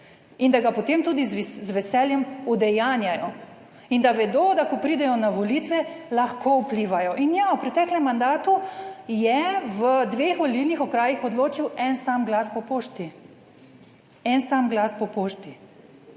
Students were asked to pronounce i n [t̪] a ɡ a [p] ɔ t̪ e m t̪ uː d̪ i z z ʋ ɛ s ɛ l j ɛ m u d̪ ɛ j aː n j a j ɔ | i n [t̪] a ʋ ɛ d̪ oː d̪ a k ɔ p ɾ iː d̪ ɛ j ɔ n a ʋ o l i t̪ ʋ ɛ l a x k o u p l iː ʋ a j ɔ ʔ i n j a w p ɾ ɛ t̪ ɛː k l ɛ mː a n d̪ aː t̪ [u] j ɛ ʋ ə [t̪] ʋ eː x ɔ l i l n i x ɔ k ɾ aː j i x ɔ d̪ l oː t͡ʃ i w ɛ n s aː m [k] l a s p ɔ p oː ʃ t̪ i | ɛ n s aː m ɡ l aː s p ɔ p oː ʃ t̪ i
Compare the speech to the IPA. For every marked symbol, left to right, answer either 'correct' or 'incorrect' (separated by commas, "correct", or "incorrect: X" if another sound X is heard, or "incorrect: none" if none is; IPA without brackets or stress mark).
incorrect: d̪, correct, incorrect: d̪, correct, incorrect: d̪, incorrect: ɡ